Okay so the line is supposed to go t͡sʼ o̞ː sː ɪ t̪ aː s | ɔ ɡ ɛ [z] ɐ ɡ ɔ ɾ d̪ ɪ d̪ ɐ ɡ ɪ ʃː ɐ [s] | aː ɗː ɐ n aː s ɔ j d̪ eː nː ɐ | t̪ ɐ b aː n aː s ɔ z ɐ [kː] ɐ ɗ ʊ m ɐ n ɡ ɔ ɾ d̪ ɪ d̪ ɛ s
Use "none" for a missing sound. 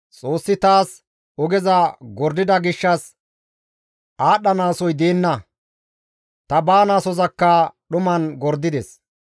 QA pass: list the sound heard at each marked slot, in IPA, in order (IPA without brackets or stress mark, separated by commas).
z, s, kː